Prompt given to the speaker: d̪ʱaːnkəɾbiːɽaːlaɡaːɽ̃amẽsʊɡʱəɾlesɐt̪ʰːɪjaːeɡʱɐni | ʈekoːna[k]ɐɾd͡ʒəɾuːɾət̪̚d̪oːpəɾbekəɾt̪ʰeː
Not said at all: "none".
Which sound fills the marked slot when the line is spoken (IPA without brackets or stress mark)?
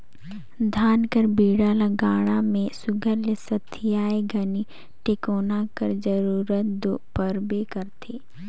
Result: k